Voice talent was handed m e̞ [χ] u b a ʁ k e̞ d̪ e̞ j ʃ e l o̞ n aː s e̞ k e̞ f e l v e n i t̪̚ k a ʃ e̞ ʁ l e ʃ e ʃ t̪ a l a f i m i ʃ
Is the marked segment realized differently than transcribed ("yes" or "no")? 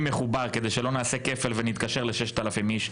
no